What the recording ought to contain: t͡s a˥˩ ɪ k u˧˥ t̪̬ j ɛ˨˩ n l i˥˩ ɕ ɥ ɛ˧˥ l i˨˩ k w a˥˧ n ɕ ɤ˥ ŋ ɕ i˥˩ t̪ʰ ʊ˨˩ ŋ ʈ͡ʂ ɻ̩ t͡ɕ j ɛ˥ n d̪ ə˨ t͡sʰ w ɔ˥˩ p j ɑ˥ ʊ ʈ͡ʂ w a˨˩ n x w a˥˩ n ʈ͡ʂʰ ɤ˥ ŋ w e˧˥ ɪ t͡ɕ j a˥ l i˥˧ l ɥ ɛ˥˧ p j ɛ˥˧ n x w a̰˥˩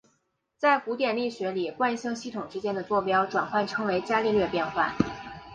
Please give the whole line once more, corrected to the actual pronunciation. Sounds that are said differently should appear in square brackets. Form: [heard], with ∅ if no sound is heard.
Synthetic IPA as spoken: t͡s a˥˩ ɪ k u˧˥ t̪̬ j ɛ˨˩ n l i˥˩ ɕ ɥ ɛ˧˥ l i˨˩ k w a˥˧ n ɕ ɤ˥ ŋ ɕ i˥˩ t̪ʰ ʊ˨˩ ŋ ʈ͡ʂ ɻ̩ t͡ɕ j ɛ˥ n d̪ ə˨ [t͡s] w ɔ˥˩ p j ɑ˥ ʊ ʈ͡ʂ w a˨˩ n x w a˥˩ n ʈ͡ʂʰ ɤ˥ ŋ w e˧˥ ɪ t͡ɕ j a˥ l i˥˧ l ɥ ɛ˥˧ p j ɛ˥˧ n x w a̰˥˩